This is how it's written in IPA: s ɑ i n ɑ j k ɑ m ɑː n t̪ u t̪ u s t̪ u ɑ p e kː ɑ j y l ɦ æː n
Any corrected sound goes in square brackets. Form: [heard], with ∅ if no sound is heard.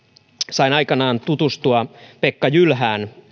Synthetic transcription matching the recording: s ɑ i n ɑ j k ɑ [n] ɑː n t̪ u t̪ u s t̪ u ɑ p e kː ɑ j y l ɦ æː n